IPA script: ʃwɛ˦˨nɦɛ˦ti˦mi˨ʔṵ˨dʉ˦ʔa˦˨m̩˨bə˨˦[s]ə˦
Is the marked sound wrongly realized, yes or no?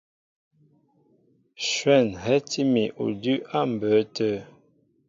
yes